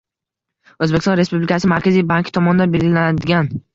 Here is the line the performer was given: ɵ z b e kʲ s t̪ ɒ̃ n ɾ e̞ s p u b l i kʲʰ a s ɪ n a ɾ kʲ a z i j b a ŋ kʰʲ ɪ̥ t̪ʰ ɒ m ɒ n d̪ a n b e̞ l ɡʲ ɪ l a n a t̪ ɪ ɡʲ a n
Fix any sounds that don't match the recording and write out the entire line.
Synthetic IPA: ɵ z b e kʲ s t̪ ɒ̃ n ɾ e̞ s p u b l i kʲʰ a s ɪ m a ɾ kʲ a z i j b a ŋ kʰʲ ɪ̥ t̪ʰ ɒ m ɒ n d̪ a n b e̞ l ɡʲ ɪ l a n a d̪ ɪ ɡʲ a n